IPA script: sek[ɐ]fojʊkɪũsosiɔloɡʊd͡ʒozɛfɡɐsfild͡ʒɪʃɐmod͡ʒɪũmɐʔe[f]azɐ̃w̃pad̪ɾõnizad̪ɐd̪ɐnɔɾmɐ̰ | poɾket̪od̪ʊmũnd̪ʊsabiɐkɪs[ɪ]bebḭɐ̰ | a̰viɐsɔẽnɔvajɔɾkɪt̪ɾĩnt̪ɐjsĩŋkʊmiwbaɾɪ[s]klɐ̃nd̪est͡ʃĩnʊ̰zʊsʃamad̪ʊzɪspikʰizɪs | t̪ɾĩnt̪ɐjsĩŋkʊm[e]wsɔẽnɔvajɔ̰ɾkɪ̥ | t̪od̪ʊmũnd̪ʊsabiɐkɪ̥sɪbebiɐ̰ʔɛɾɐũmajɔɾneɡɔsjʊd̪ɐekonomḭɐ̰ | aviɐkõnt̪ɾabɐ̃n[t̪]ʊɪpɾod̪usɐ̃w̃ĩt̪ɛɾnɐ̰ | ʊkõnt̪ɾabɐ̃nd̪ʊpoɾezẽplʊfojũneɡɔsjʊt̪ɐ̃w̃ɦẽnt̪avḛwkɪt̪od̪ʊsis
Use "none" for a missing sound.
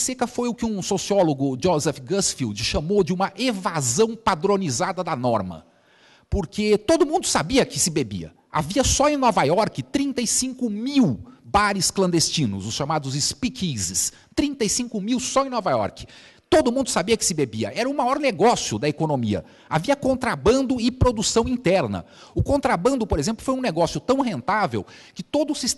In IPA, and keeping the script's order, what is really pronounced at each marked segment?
ɐ, v, ɪ, s, i, d̪

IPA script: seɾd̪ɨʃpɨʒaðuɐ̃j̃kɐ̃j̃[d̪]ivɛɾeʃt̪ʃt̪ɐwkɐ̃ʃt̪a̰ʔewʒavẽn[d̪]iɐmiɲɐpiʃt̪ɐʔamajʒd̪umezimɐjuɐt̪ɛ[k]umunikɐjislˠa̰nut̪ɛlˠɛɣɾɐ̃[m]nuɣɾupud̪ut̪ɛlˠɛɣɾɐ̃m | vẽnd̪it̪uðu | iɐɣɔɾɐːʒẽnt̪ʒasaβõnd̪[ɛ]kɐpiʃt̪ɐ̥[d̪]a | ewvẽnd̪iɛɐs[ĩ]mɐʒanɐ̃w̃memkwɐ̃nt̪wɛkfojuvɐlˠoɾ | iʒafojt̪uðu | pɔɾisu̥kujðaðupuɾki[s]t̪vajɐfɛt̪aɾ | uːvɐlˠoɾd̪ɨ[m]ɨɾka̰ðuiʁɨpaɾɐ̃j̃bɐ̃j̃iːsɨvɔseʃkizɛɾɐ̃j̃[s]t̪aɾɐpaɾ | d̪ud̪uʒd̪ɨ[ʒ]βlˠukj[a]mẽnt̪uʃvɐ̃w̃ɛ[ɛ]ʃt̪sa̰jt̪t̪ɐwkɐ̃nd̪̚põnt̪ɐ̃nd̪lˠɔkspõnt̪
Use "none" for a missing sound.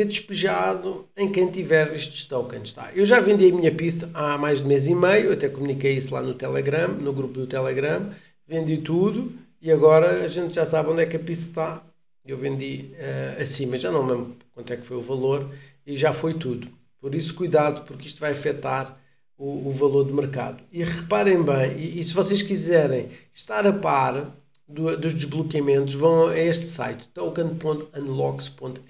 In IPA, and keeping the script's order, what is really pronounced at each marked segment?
t̪, d̪, k, m, ɛ, t̪, ĩ, ʃ, m, ʃ, ʒ, ɐ, e

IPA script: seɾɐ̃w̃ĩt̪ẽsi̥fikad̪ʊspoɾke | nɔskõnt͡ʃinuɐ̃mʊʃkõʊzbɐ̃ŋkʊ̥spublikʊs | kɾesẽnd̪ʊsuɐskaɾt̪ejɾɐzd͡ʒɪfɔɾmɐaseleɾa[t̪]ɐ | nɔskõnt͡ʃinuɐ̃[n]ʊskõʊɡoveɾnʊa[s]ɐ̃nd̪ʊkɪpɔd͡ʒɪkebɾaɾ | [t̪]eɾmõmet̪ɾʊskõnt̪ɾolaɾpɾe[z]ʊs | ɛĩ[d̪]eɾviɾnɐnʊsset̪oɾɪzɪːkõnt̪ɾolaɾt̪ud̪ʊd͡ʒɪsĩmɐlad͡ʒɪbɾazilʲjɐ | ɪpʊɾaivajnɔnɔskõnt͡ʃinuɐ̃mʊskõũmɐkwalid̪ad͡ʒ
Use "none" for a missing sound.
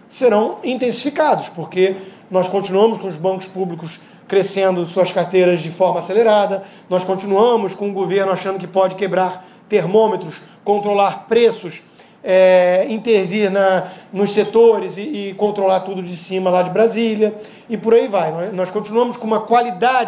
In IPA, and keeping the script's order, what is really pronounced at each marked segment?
d̪, m, ʃ, t̪, s, t̪

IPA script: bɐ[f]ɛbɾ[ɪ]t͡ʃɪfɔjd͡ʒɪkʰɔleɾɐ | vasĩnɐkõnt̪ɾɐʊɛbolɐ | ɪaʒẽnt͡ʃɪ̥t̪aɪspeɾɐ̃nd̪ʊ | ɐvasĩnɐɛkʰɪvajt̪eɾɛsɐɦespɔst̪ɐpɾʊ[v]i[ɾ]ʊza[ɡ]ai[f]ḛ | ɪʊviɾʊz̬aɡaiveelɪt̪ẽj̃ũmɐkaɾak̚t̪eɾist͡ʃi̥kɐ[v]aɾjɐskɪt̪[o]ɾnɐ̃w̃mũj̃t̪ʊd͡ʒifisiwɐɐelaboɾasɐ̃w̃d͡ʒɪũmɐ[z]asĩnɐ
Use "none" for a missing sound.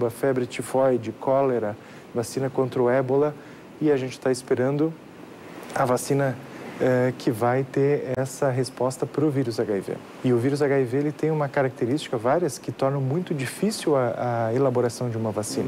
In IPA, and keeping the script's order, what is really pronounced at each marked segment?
f, ɪ, v, ɾ, ɡ, v, v, ɔ, v

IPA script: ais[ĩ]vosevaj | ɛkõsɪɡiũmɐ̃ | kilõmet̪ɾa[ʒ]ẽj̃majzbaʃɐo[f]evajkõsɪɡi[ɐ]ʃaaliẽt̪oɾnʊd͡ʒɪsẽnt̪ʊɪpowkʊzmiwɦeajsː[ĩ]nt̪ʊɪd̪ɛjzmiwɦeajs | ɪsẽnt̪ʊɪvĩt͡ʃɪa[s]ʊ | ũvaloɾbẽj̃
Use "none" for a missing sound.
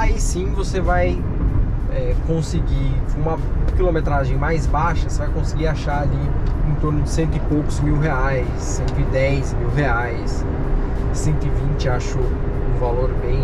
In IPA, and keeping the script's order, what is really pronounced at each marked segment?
ĩ, ʒ, s, a, ẽ, ʃ

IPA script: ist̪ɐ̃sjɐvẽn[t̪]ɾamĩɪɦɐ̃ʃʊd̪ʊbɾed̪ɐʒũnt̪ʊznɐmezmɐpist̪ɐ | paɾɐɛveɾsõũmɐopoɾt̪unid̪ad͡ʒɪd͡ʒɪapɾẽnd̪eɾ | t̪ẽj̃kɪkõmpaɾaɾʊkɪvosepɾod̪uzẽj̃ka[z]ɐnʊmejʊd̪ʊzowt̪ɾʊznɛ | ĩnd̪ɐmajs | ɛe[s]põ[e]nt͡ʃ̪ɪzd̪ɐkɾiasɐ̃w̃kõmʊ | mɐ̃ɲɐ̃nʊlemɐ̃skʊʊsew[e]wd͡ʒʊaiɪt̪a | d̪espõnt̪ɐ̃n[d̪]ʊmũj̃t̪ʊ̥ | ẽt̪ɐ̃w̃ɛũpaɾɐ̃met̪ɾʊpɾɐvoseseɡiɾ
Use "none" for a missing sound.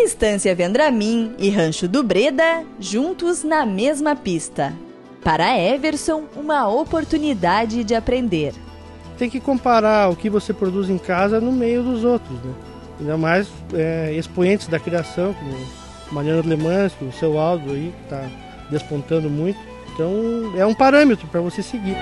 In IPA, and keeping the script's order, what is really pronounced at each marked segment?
d̪, z, s, ẽ, a, d̪

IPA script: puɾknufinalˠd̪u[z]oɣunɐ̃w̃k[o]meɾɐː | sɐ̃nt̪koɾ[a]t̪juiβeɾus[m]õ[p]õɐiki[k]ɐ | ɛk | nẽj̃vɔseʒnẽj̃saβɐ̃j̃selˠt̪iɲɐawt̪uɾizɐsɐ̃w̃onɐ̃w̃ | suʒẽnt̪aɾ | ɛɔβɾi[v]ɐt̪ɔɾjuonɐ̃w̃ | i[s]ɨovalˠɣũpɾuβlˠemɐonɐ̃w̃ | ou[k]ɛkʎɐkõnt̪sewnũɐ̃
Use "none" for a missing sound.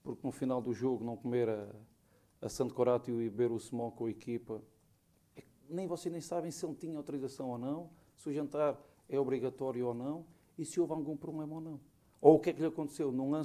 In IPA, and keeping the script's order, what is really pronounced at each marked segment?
ʒ, u, a, m, k, p, ɣ, s, k

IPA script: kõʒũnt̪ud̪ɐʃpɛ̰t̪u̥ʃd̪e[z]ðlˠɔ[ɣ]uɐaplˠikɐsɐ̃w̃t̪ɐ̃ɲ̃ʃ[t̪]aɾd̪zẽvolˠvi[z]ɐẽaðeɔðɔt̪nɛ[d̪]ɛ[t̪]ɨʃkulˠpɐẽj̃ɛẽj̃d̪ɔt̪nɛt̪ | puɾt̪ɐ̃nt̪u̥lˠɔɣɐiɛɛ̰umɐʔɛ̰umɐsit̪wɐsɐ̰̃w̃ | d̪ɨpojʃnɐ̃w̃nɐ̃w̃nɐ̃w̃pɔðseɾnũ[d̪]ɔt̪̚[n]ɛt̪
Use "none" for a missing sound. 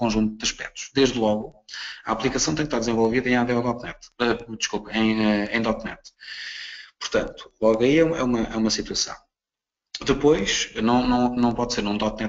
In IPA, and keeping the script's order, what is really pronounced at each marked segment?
ʒ, ɣ, t̪, ð, t̪, d̪, d̪, n

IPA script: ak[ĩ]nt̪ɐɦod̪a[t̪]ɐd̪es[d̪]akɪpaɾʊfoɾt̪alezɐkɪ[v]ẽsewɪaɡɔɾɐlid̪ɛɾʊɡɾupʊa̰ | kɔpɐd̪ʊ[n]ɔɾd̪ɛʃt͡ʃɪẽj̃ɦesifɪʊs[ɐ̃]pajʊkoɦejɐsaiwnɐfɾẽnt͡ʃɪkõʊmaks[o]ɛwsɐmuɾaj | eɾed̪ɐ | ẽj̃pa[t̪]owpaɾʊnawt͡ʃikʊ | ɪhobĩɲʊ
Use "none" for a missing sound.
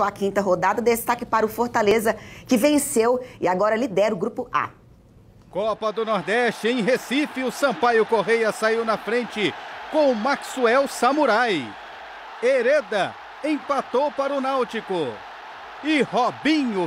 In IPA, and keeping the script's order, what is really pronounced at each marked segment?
ĩ, d̪, t̪, v, n, ɐ̃, u, t̪

